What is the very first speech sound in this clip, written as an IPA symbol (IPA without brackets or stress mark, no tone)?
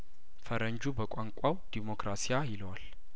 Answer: f